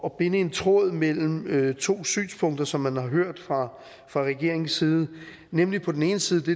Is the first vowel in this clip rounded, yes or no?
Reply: yes